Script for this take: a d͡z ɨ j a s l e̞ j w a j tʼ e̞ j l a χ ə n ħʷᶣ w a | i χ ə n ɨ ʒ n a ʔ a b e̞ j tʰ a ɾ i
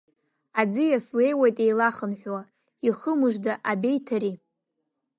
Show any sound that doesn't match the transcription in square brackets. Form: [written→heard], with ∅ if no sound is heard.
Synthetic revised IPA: a d͡z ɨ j a s l e̞ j w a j tʼ e̞ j l a χ ə n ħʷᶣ w a | i χ ə [n→m] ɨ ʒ [n→d] a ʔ a b e̞ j tʰ a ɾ i